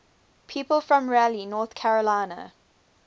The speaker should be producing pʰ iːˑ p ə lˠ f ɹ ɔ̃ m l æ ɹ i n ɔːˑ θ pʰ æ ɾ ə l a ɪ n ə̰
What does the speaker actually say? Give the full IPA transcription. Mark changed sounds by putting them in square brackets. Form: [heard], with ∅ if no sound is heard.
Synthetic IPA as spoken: pʰ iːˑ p ə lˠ f ɹ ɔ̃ m [ɹ] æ [l] i n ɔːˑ θ [kʰ] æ [ɹ] ə l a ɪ n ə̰